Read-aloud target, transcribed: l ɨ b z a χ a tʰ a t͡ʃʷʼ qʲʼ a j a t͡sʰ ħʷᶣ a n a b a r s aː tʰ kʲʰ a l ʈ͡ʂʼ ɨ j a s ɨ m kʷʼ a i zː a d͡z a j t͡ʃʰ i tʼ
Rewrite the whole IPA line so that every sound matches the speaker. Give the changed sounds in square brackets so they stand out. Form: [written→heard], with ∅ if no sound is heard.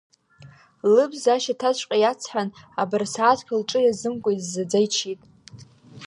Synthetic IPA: l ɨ b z a [χ→ʃ] a tʰ a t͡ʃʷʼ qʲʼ a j a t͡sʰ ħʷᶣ a n a b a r s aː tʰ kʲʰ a l ʈ͡ʂʼ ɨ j a [s→z] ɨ m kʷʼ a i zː a d͡z a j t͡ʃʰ i tʼ

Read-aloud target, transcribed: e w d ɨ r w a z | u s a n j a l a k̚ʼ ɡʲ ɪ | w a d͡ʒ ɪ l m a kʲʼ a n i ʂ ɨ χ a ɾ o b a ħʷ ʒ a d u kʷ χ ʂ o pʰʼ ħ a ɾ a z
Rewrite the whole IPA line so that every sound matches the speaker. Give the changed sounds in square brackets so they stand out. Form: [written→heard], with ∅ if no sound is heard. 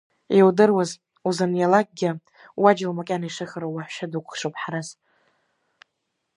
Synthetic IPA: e w d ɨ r w a z | u [s→z] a n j a l a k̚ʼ ɡʲ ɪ | w a d͡ʒ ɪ l m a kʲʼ a n i ʂ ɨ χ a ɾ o [b→w] a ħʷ [ʒ→ʃ] a d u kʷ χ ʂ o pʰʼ ħ a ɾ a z

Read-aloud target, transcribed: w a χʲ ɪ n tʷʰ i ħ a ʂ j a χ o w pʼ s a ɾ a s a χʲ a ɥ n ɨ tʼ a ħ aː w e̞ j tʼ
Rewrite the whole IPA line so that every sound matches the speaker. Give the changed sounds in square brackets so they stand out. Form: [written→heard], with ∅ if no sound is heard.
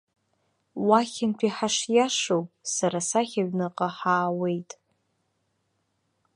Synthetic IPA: w a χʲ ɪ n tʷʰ i ħ a ʂ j a [χ→ʂ] o w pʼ s a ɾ a s a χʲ a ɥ n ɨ [tʼ→qʼ] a ħ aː w e̞ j tʼ

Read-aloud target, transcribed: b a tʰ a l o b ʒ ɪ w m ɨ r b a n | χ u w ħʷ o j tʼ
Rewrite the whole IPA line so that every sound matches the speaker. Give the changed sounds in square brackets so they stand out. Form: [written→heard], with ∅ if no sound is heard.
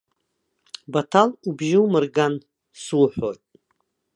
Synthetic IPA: b a tʰ a l [o→u] b ʒ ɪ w m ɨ r [b→ɡ] a n | [χ→s] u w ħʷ o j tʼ

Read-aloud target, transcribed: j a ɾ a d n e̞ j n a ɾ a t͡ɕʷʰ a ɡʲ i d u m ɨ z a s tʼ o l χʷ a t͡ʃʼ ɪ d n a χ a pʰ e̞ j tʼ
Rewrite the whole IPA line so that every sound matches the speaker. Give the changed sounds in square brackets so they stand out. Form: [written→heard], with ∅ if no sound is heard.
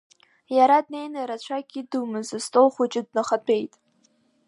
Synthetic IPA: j a ɾ a d n e̞ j n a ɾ a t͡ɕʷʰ a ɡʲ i d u m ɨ z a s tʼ o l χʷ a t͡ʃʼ ɪ d n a χ a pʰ e̞ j tʼ

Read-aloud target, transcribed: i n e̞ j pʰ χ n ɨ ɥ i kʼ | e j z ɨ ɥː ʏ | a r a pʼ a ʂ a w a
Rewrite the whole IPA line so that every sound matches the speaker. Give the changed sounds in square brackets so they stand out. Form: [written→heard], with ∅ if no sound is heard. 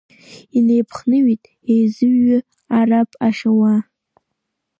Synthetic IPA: i n e̞ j pʰ χ n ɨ ɥ i [kʼ→tʼ] | e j z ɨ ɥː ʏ | a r a pʼ a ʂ a w a

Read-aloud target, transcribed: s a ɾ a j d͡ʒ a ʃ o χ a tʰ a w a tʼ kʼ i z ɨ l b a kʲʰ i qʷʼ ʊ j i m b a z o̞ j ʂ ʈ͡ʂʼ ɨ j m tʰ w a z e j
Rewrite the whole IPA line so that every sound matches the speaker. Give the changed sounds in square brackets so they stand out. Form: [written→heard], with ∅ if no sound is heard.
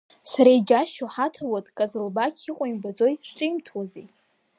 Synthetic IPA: s a ɾ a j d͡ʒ a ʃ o [χ→ħ] a tʰ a w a tʼ kʼ [i→a] z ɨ l b a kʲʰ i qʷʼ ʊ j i m b a [z→d͡z] o̞ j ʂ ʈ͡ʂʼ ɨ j m tʰ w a z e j

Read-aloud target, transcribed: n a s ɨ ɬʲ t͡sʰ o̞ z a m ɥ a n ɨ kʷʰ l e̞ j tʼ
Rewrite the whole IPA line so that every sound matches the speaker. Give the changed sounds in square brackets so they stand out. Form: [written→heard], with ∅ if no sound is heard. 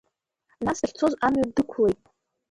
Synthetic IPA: n a s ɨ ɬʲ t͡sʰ o̞ z a m ɥ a [n→d] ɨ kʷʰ l e̞ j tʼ

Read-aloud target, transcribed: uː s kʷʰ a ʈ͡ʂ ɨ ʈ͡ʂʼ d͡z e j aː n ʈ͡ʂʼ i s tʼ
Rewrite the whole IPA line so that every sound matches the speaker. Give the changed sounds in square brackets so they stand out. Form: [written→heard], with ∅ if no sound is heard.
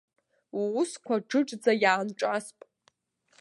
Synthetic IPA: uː s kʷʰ a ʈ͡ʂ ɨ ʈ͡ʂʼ d͡z [e→a] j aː n ʈ͡ʂʼ [i→a] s [tʼ→pʼ]

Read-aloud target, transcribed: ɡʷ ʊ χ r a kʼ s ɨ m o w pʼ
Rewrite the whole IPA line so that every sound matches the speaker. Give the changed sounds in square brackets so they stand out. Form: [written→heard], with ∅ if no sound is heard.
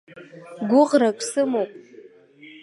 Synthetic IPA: ɡʷ ʊ [χ→ʁ] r a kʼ s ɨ m o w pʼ

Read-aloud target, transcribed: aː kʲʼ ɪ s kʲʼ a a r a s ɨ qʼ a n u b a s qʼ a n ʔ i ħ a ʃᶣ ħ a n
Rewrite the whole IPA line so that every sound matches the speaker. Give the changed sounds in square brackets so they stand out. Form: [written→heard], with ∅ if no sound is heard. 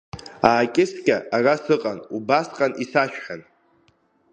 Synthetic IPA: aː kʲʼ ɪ s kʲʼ a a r a s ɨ qʼ a n u b a s qʼ a n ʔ i [ħ→s] a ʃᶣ ħ a n

